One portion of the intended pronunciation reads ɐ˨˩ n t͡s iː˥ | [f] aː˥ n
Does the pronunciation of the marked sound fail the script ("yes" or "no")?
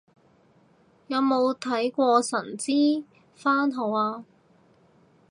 no